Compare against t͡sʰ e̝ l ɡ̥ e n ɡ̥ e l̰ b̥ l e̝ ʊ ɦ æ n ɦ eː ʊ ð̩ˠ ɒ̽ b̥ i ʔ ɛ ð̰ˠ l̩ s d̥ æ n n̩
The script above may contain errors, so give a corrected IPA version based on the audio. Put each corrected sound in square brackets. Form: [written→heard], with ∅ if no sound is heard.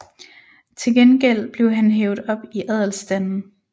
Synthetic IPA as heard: t͡sʰ e̝ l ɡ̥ e n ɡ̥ e l̰ b̥ l e̝ ʊ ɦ æ n ɦ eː ʊ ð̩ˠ ɒ̽ b̥ i ʔ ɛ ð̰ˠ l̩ s d̥ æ n n̩